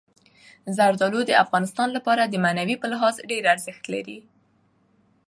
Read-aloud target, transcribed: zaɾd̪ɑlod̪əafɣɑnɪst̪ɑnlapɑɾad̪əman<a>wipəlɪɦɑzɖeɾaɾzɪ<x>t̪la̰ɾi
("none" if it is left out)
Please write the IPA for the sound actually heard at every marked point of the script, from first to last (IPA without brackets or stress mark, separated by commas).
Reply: a, x